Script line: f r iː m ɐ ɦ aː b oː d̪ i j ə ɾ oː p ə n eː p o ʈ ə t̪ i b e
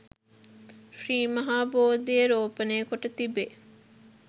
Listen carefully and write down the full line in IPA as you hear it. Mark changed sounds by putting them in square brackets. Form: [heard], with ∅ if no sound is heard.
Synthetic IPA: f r iː m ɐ ɦ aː b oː d̪ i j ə ɾ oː p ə n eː [k] o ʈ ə t̪ i b e